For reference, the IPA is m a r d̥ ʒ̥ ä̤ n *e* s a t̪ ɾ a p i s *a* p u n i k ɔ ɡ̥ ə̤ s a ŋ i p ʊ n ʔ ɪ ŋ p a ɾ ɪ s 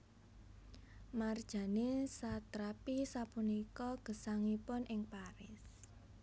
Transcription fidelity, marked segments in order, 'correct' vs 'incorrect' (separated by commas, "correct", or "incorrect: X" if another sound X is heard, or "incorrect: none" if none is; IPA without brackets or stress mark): correct, correct